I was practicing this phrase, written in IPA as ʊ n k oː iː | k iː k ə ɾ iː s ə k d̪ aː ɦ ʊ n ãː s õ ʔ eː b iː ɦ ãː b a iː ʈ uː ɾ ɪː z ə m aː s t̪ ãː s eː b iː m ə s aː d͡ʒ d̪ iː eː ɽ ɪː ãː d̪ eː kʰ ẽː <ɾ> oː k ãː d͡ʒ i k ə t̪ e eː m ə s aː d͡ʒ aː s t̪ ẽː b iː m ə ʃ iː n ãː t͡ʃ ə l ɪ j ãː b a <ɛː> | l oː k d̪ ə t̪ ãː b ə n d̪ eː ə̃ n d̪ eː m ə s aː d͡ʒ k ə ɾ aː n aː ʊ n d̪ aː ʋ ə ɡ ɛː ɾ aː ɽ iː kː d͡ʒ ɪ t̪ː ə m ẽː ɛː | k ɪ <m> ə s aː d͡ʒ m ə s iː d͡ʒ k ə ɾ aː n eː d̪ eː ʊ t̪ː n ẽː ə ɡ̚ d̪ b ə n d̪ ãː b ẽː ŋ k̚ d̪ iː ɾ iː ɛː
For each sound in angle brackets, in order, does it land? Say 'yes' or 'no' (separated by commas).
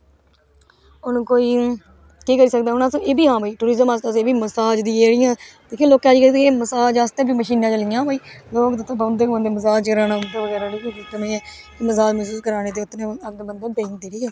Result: no, no, yes